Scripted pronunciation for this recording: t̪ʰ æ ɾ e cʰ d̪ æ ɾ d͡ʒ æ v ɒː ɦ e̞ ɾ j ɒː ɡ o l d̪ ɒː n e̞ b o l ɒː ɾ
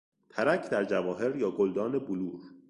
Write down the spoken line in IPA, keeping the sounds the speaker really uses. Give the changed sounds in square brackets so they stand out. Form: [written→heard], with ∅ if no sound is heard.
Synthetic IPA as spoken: t̪ʰ æ ɾ [e→æ] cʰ d̪ æ ɾ d͡ʒ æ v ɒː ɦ e̞ ɾ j ɒː ɡ o l d̪ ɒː n e̞ b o l [ɒː→uː] ɾ